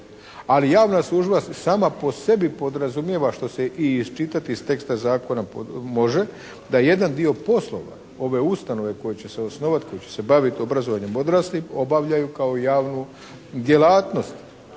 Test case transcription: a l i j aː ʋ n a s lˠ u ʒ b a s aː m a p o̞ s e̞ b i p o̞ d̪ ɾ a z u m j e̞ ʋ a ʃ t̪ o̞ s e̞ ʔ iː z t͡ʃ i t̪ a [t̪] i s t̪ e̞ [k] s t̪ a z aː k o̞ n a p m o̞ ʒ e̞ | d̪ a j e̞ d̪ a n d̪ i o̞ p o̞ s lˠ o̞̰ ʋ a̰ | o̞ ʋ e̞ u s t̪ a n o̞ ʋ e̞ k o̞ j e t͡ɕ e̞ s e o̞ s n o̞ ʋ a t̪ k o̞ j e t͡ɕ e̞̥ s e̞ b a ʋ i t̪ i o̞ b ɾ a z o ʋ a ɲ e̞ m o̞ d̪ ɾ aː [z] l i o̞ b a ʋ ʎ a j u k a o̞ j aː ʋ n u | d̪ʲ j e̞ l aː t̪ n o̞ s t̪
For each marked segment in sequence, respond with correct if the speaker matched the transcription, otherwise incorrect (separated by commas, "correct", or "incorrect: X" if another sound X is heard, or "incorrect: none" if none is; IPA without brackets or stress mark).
correct, correct, incorrect: s